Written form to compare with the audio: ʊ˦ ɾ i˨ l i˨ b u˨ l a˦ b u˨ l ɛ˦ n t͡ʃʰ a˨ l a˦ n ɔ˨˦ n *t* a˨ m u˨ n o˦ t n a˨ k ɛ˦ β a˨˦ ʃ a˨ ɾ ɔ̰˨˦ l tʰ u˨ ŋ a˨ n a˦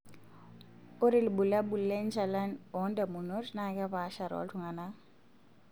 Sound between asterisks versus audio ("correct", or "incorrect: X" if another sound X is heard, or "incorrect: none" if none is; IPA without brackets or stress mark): incorrect: d